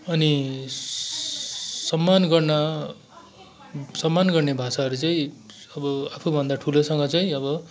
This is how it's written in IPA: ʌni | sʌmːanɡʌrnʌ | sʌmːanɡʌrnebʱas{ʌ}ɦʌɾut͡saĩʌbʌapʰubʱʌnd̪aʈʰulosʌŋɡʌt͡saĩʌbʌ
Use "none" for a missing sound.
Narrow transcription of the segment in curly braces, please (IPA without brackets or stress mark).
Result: a